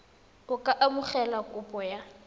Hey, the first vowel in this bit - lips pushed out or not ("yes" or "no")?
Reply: yes